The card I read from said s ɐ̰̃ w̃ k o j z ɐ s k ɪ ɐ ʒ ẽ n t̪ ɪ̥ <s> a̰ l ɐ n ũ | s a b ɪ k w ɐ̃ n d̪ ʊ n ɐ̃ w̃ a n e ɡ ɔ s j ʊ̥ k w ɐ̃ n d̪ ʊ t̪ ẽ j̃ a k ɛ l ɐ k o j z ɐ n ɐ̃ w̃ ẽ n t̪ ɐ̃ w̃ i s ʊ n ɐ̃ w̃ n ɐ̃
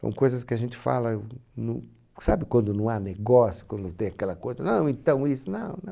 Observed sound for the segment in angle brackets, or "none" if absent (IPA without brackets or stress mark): f